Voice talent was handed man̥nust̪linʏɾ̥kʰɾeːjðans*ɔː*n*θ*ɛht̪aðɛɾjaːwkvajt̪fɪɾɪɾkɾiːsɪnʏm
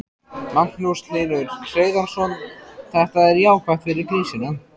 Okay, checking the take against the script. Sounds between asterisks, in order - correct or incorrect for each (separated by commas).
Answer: incorrect, correct